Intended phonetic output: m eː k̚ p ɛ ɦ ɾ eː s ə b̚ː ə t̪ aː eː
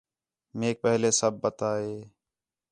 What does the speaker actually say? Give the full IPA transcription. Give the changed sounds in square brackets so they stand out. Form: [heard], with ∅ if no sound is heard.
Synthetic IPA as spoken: m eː k̚ p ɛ ɦ [l] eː s ə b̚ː ə t̪ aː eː